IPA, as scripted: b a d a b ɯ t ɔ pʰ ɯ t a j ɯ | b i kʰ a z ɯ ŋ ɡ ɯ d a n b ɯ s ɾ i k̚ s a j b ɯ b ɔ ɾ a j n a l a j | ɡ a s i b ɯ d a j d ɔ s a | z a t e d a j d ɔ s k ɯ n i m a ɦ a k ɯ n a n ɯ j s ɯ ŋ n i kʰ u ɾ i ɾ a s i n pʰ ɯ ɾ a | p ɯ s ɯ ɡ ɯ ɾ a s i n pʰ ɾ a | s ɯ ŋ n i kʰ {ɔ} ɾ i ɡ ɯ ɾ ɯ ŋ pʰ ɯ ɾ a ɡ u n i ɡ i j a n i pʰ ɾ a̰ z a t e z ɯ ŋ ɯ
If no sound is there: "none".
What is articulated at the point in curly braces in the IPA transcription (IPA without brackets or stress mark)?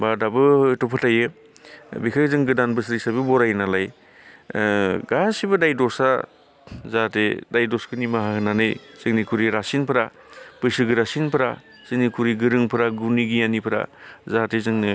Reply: u